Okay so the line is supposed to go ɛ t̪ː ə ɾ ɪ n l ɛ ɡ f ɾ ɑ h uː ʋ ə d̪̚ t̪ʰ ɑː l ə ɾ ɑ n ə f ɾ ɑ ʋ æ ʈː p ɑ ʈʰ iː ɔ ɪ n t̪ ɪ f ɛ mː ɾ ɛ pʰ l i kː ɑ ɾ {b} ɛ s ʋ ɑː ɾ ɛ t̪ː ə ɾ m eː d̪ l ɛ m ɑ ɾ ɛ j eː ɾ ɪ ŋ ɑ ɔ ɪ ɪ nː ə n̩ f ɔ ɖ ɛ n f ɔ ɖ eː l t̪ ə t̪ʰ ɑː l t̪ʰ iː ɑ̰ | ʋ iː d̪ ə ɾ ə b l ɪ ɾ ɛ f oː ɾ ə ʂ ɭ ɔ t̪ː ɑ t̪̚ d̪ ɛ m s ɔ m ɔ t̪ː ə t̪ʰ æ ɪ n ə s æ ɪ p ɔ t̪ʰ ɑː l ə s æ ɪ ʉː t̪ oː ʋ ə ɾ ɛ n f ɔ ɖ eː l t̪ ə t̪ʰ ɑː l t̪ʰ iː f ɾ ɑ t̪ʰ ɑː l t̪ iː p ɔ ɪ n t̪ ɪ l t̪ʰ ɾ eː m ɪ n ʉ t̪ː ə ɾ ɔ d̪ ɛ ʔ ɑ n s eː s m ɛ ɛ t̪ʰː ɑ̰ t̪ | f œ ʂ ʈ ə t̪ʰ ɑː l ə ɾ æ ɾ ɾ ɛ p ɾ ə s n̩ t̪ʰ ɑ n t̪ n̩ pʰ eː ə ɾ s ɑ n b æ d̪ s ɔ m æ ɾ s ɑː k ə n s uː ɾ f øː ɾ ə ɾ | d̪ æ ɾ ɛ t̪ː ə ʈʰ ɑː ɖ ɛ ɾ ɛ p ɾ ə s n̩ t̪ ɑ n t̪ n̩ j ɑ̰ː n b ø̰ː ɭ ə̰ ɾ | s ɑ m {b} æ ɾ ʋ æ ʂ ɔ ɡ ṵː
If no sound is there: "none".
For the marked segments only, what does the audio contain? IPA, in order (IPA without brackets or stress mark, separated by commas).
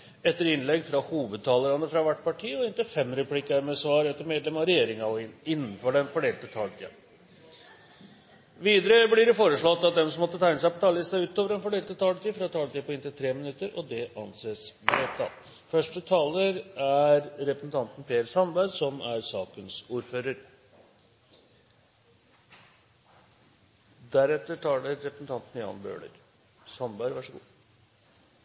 m, b